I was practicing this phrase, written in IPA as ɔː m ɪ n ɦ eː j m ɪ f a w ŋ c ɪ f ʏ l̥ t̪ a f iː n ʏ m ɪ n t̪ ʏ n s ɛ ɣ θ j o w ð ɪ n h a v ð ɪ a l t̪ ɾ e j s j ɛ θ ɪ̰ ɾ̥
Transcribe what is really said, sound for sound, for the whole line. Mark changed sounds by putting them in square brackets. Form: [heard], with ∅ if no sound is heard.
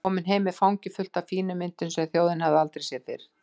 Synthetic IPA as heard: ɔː m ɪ n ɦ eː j m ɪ f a w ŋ c ɪ f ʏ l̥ t̪ a f iː n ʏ m ɪ n t̪ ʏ n s ɛ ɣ θ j o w ð ɪ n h a v ð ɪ a l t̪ ɾ e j s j ɛ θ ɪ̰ ɾ̥